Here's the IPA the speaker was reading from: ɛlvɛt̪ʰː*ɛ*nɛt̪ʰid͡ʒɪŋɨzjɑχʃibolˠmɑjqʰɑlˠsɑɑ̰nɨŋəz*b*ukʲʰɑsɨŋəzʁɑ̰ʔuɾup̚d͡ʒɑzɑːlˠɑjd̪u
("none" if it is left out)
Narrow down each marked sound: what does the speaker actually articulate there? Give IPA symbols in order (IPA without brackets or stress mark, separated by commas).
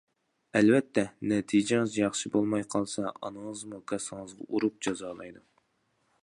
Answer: ɛ, m